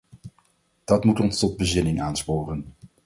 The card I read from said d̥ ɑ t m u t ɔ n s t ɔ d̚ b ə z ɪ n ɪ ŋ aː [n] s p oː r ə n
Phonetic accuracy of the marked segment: correct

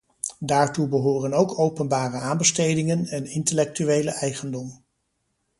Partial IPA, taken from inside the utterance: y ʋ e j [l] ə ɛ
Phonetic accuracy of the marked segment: correct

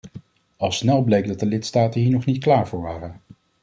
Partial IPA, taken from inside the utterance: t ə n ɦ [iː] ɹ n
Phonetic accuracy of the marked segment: correct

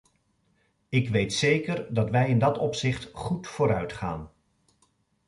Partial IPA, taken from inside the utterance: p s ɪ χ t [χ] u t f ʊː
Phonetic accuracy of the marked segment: correct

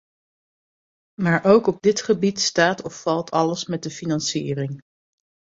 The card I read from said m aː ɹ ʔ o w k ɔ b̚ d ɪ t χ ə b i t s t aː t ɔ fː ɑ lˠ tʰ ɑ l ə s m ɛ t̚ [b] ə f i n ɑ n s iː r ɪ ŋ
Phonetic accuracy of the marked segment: incorrect: d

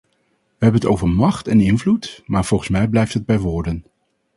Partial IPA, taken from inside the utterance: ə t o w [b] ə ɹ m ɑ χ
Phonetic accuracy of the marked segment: incorrect: v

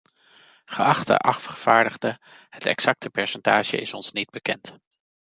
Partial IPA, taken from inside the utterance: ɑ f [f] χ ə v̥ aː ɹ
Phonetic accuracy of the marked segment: correct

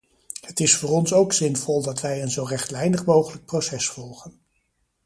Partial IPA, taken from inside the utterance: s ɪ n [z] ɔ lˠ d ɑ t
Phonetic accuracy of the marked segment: incorrect: v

